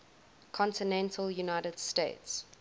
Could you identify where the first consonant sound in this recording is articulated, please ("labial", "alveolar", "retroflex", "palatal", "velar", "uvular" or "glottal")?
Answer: velar